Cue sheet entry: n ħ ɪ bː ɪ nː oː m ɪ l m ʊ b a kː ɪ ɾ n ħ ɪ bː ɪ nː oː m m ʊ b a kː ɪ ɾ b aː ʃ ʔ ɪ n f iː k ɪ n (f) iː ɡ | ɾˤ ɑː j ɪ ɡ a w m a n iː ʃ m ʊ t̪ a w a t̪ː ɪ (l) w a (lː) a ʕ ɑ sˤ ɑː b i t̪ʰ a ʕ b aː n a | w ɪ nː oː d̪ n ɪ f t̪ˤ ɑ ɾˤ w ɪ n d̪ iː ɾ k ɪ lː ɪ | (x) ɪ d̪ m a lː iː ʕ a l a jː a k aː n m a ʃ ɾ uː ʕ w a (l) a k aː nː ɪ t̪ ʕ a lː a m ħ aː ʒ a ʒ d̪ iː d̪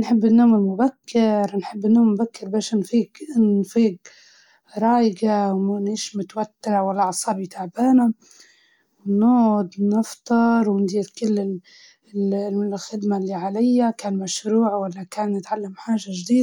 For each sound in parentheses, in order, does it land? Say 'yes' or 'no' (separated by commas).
yes, no, yes, yes, no